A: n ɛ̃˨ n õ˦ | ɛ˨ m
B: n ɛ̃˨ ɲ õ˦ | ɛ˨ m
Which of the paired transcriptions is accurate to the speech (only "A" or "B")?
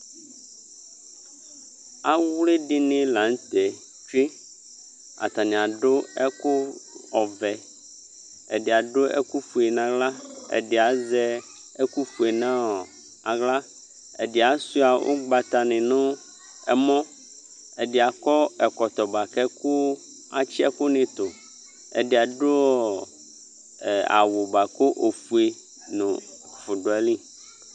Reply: A